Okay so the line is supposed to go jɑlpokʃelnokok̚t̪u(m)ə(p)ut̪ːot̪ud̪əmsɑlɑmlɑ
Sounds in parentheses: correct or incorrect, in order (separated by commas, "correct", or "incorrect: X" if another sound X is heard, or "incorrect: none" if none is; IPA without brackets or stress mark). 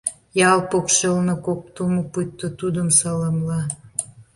correct, correct